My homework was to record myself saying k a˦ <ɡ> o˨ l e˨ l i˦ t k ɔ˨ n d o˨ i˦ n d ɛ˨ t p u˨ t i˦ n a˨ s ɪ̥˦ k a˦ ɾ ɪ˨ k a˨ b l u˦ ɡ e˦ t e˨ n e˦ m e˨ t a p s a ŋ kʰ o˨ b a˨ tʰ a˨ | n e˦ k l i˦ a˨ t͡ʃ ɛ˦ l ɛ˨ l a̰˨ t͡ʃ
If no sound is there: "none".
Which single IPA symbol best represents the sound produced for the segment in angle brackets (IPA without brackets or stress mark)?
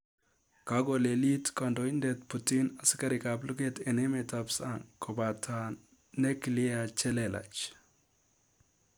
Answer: ɡ